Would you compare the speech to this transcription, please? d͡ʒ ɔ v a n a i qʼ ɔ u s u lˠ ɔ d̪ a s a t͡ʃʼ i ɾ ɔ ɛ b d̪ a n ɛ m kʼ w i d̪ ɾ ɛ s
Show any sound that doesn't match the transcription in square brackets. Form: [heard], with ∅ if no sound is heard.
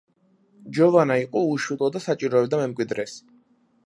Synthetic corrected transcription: d͡ʒ ɔ v a n a i qʼ ɔ u [ʃ] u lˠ ɔ d̪ a s a t͡ʃʼ i ɾ ɔ ɛ b d̪ a [m] ɛ m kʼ w i d̪ ɾ ɛ s